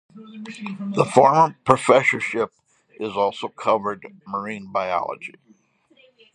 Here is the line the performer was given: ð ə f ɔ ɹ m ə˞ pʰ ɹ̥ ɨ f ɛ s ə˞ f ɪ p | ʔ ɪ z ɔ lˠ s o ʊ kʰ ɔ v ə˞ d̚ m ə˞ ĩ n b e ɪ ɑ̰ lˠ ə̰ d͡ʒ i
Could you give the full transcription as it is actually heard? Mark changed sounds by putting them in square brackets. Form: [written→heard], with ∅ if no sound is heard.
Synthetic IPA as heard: ð ə f ɔ ɹ m ə˞ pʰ ɹ̥ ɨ f ɛ s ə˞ [f→ʃ] ɪ p | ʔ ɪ z ɔ lˠ s o ʊ kʰ [ɔ→ʌ] v ə˞ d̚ m ə˞ ĩ n b [e→a] ɪ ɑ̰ lˠ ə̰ d͡ʒ i